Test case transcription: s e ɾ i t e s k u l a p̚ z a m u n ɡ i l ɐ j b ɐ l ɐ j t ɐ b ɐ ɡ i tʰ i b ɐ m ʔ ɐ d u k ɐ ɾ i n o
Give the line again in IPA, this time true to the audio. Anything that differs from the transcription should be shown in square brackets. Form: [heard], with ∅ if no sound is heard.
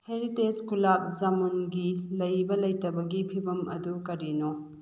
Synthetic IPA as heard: [h] e ɾ i t e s k u l a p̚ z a m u n ɡ i l ɐ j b ɐ l ɐ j t ɐ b ɐ ɡ i [pʰ] i b ɐ m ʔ ɐ d u k ɐ ɾ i n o